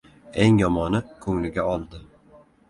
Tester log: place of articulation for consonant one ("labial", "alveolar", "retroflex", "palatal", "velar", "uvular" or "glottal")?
velar